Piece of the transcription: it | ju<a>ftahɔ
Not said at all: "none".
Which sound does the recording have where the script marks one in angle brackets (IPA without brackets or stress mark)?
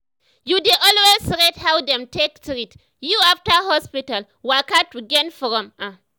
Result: a